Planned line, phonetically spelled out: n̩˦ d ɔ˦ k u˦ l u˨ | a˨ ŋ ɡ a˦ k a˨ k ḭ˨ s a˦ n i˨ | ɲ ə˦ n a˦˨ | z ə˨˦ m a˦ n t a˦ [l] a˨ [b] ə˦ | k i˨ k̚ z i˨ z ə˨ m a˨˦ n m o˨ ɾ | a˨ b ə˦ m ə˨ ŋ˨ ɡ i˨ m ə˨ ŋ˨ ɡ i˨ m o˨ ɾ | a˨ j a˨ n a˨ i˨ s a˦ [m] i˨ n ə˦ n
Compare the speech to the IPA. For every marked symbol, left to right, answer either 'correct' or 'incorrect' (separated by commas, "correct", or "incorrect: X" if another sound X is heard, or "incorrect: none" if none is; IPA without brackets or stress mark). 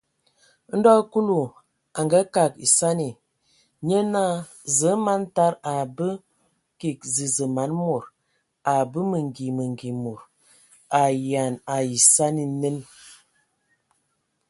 incorrect: ɾ, correct, incorrect: n